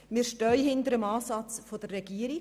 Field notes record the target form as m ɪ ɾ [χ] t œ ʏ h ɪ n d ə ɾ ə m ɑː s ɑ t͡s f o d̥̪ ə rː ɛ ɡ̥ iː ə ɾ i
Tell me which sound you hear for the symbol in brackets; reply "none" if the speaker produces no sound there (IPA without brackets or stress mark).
ʃ